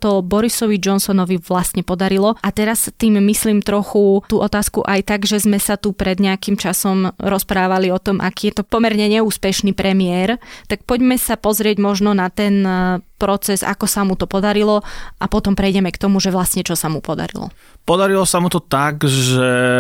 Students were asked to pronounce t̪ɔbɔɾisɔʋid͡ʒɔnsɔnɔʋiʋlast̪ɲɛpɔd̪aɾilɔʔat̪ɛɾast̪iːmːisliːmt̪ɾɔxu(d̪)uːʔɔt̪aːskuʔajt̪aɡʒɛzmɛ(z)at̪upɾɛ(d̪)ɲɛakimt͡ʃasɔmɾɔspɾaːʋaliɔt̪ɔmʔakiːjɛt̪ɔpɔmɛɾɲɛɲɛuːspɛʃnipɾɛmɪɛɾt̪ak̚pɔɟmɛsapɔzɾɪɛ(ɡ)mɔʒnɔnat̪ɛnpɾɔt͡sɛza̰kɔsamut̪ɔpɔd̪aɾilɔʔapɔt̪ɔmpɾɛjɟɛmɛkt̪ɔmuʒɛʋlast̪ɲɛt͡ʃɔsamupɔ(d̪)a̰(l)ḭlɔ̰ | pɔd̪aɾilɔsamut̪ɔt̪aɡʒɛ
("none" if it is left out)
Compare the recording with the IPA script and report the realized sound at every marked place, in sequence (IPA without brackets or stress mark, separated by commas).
t̪, s, d̪, ɟ, d̪, ɾ